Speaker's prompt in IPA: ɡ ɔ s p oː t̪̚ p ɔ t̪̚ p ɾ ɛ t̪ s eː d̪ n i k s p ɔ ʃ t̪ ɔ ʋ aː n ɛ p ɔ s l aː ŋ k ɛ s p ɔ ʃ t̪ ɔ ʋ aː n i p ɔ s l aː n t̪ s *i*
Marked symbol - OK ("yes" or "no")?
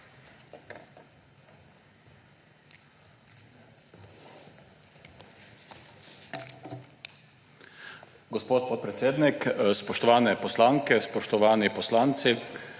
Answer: yes